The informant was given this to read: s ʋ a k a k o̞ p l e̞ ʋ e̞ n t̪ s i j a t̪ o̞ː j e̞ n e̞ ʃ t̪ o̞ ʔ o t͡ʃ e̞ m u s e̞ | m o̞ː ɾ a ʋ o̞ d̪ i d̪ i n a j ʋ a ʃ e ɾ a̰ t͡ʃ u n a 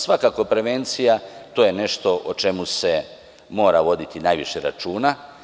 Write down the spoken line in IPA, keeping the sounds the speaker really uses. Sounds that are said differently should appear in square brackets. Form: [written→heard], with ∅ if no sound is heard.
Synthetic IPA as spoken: s ʋ a k a k o̞ p [l→ɾ] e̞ ʋ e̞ n t̪ s i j a t̪ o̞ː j e̞ n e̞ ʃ t̪ o̞ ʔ o t͡ʃ e̞ m u s e̞ | m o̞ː ɾ a ʋ o̞ d̪ i [d̪→t̪] i n a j ʋ [a→i] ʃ e ɾ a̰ t͡ʃ [u→uː] n a